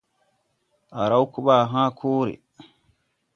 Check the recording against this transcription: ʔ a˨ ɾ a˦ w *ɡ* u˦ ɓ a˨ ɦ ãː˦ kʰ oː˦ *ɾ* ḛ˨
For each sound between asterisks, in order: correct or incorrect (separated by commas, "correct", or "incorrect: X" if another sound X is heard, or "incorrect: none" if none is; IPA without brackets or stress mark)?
incorrect: k, correct